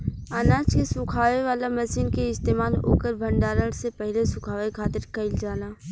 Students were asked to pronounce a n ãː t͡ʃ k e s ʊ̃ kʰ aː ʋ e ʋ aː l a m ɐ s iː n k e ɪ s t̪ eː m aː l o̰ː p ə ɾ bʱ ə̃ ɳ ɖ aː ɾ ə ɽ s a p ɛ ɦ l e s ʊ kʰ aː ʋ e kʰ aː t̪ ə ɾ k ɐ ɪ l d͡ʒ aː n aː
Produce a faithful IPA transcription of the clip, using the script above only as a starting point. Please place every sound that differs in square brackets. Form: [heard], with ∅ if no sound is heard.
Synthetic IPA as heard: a n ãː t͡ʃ k e s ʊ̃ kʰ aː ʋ e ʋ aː l a m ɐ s iː n k e ɪ s t̪ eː m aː l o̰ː [k] ə ɾ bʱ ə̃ ɳ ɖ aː ɾ ə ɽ s [e] p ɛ ɦ l e s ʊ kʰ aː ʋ e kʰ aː t̪ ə ɾ k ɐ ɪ l d͡ʒ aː n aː